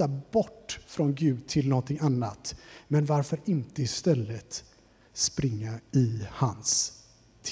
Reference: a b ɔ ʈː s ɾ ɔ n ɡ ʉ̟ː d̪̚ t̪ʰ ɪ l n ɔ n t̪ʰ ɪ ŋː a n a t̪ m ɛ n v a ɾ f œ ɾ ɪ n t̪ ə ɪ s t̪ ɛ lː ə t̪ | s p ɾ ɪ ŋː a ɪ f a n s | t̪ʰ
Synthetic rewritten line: a b ɔ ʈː f ɾ ɔ n ɡ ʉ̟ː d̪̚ t̪ʰ ɪ l n ɔ n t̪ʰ ɪ ŋ a nː a t̪ m ɛ n v a ɾ f œ ɾ ɪ n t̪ ə ɪ s t̪ ɛ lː ə t̪ | s p ɾ ɪ ŋː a ɪ h a n s | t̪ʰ